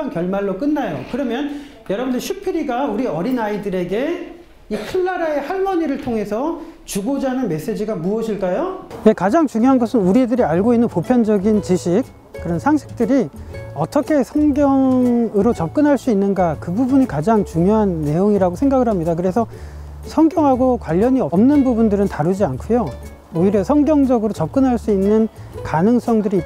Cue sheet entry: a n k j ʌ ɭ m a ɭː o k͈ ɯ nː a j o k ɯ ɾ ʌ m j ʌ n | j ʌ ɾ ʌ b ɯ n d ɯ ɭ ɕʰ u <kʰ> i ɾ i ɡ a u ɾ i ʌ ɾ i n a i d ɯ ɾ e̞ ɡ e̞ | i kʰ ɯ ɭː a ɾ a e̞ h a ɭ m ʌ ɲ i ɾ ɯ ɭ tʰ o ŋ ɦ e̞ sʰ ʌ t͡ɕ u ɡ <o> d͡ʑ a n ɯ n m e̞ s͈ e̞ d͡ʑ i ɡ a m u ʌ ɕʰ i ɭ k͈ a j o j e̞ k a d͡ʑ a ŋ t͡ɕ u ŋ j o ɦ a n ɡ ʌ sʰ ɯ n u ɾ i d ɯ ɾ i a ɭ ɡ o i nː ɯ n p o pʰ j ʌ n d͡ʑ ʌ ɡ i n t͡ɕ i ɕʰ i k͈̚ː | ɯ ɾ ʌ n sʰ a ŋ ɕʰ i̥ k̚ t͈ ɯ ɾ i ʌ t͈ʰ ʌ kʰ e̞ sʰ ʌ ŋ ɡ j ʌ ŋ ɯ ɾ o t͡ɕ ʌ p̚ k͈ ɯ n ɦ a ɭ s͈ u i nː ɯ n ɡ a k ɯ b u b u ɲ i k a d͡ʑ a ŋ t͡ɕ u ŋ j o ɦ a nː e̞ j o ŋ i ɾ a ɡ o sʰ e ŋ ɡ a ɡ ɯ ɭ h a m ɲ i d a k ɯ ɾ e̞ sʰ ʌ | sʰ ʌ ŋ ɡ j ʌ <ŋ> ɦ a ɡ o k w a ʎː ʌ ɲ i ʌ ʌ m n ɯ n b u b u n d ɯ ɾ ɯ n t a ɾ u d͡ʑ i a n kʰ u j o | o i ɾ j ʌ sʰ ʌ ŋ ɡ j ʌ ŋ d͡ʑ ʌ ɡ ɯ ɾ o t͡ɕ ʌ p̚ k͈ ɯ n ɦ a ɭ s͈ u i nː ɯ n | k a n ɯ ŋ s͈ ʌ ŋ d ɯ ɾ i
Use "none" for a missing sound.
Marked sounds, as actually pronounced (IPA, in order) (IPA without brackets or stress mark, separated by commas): pʰ, o, ŋ